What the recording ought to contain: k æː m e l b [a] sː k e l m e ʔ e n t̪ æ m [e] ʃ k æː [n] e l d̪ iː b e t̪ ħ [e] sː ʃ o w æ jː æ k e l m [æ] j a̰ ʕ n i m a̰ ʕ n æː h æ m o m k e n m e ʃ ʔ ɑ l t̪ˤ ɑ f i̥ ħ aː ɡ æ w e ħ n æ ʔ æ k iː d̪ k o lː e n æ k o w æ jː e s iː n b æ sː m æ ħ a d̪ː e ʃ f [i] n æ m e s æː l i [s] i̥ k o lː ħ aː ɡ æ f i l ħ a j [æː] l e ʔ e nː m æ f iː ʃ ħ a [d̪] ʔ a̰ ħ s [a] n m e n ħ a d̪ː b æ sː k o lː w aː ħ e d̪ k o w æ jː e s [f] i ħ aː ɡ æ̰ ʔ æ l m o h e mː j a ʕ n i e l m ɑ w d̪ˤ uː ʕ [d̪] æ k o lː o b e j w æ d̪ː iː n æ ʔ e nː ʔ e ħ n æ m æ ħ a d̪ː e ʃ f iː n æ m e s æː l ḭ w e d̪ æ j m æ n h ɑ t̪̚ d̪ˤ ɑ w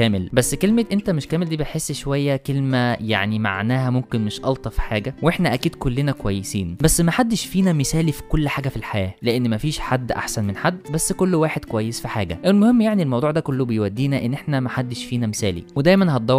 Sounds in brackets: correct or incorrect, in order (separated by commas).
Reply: incorrect, correct, incorrect, correct, correct, incorrect, incorrect, correct, incorrect, incorrect, correct, correct